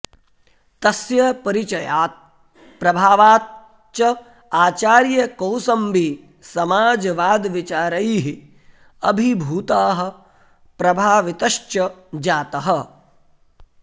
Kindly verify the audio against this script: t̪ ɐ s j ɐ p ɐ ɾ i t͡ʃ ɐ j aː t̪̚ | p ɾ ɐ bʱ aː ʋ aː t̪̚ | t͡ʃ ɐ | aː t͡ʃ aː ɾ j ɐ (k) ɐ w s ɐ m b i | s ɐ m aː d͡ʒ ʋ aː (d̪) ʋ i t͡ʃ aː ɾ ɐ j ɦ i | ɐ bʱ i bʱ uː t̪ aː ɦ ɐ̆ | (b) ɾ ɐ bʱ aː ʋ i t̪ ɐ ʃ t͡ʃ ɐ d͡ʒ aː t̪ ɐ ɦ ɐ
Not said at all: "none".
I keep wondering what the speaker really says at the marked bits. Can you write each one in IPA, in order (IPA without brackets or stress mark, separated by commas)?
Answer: k, d̪, p